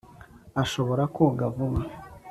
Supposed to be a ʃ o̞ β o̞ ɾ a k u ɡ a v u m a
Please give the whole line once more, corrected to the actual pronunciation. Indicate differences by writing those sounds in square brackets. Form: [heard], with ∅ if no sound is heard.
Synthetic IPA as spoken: a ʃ o̞ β o̞ ɾ a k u ɡ a v u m a